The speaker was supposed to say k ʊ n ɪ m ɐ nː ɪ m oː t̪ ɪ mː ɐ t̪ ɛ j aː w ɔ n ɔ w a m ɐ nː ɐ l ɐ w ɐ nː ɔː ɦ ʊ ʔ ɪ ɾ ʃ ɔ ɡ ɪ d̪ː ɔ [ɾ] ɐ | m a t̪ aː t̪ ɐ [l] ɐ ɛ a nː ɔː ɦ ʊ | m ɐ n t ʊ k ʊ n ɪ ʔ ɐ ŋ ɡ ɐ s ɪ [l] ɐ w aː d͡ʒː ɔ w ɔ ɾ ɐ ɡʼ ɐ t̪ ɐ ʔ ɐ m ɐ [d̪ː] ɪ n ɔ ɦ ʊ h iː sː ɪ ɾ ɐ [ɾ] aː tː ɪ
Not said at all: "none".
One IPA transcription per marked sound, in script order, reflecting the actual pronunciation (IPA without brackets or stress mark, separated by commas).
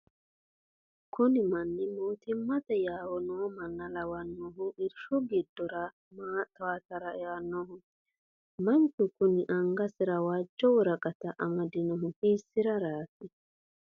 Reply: ɾ, ɾ, ɾ, d̪, ɾ